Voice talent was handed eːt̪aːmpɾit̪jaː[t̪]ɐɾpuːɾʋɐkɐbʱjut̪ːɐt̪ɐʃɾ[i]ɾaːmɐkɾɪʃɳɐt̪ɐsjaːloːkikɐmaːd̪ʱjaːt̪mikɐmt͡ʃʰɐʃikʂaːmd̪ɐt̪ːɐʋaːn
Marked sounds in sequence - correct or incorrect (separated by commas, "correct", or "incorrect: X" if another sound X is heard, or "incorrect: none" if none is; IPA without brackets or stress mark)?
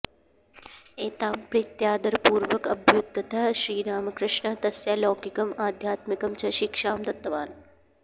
incorrect: d̪, incorrect: iː